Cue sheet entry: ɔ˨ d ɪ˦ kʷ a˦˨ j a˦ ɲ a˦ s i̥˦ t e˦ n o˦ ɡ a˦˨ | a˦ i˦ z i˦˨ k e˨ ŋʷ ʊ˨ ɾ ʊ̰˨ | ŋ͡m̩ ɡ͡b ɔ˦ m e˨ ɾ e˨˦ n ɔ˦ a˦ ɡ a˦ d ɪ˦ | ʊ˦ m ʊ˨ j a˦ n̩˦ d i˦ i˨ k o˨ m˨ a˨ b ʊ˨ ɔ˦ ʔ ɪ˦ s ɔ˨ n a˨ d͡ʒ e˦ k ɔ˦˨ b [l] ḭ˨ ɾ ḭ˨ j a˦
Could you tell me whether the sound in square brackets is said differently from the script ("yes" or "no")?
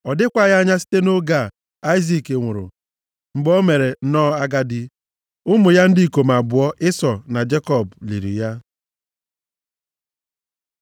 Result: no